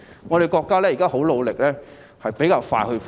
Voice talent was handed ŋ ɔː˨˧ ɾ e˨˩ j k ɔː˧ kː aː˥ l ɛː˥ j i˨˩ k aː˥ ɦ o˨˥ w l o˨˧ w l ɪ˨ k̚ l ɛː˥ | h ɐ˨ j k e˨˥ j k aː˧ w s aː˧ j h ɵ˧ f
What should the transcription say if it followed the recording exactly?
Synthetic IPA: ŋ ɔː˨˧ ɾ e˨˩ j k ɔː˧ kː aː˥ l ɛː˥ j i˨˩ k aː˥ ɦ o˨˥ w l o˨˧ w l ɪ˨ k̚ l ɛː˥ | h ɐ˨ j p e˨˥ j k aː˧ w f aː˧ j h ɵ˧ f